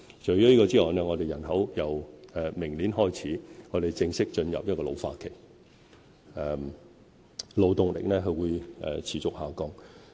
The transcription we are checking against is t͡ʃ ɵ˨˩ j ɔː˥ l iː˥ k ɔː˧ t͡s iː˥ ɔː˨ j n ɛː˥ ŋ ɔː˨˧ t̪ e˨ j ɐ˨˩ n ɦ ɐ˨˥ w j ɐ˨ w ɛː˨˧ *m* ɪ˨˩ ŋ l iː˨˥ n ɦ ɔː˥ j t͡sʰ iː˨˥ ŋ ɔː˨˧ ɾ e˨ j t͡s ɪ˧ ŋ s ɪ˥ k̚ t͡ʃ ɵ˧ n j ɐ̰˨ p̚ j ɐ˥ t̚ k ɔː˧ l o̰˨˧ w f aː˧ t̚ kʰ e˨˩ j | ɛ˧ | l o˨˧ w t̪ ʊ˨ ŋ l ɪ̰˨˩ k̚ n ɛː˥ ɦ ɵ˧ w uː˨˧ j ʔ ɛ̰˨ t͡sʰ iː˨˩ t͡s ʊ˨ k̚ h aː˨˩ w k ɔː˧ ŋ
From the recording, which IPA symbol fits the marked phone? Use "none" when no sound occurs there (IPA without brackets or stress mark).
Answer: m